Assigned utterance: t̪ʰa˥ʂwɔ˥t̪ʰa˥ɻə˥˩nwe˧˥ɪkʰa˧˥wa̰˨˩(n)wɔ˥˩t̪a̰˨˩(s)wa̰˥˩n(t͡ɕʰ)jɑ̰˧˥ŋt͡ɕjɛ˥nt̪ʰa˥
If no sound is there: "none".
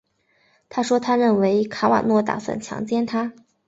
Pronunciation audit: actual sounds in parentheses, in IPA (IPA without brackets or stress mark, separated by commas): n, s, t͡ɕʰ